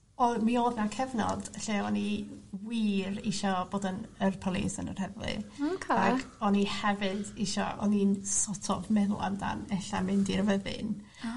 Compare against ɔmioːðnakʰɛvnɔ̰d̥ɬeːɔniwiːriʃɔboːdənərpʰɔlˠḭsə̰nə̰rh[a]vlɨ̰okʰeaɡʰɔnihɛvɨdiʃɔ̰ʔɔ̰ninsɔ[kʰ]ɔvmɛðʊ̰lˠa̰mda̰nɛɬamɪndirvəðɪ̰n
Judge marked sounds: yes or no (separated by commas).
no, no